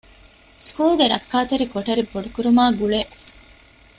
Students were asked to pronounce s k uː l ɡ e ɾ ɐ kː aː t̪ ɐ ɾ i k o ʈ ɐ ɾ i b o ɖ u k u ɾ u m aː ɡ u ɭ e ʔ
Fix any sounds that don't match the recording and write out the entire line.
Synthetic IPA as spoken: s k uː l ɡ e ɾ ɐ kː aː t̪ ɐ ɾ i k o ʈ ɐ ɾ i b o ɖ u k u ɾ u m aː ɡ u ɭ e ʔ